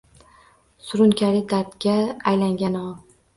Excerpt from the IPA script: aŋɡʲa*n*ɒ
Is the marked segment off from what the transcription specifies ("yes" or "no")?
no